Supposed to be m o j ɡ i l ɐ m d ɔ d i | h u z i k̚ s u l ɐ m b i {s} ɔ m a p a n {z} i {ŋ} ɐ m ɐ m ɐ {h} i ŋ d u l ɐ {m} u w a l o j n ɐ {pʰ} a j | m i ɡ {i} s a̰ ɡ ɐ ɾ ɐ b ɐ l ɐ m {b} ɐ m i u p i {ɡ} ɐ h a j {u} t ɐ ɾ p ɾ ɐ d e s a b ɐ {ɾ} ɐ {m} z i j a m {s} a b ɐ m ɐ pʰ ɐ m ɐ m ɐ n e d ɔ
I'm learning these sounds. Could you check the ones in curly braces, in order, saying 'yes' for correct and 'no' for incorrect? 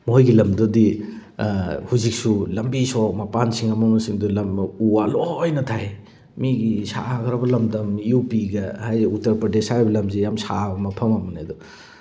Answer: yes, no, yes, no, yes, no, yes, no, yes, yes, no, yes, yes

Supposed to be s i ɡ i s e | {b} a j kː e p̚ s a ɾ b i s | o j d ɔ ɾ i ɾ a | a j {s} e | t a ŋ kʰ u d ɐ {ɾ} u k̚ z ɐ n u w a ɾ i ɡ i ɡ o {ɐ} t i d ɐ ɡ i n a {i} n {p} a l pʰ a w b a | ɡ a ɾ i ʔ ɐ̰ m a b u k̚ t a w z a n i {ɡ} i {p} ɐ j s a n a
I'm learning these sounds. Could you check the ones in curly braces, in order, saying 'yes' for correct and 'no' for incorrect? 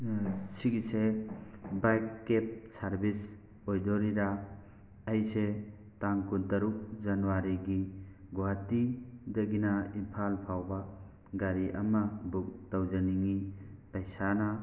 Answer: yes, yes, yes, no, yes, no, no, yes

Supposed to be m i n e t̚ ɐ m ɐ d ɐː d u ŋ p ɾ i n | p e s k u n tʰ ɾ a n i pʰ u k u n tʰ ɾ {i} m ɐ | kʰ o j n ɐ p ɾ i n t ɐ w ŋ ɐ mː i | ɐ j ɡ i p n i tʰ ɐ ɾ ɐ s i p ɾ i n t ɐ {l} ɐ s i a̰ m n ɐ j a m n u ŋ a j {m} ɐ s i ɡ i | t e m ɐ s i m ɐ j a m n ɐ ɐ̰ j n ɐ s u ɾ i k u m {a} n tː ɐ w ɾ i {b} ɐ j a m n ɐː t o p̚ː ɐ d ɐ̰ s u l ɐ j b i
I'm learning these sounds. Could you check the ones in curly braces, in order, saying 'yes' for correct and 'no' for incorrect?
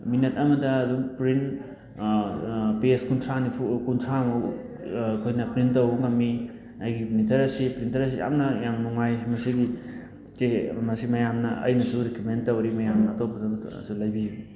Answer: no, no, yes, no, no

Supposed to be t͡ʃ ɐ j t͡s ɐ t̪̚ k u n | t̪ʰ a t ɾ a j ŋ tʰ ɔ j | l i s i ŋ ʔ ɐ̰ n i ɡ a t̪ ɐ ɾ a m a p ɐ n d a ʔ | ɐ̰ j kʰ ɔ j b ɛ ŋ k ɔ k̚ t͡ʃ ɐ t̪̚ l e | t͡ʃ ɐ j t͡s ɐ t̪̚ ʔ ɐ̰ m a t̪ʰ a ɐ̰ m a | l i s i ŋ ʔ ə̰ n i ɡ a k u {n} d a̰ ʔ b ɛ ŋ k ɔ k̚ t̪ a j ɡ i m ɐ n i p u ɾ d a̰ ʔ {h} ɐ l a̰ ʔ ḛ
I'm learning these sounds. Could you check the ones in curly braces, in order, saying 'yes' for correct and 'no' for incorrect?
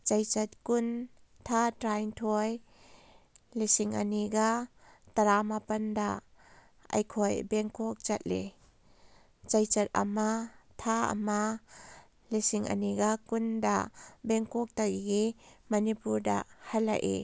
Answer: yes, yes

